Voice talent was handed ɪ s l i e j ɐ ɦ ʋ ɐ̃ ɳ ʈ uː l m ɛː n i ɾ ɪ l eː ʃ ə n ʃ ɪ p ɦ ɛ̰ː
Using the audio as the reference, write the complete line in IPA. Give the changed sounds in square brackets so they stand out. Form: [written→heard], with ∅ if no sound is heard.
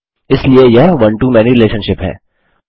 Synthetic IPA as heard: ɪ s l i e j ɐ ɦ ʋ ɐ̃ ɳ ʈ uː [l→∅] m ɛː n i ɾ ɪ l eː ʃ ə n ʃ ɪ p ɦ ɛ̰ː